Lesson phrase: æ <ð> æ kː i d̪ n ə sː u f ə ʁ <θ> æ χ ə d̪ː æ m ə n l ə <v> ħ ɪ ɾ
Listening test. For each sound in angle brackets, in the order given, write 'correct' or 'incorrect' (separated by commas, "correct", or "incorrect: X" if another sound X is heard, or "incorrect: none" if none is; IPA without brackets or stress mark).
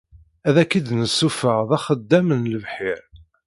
correct, incorrect: ð, correct